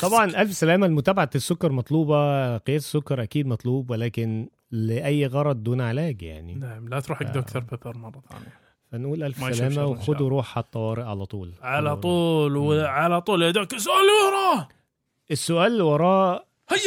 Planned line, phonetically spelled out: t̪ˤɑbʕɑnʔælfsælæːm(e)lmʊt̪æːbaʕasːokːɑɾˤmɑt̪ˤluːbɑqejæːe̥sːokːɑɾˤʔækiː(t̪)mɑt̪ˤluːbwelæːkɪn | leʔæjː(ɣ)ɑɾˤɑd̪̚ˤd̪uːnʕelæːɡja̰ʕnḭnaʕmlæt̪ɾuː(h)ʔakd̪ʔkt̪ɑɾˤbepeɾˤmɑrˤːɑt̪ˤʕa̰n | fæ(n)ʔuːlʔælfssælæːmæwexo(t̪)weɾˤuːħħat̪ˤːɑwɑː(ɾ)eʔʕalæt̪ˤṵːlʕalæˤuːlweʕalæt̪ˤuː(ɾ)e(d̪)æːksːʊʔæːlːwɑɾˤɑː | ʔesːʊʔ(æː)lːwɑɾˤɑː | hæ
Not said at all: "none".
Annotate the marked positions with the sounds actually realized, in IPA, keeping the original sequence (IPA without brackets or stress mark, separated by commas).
æ, d̪, ɣ, ħ, n, d̪, ɾ, l, d̪, æː